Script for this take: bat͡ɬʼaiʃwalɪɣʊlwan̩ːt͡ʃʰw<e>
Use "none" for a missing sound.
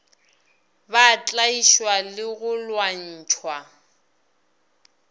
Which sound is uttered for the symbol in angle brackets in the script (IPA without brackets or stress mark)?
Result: a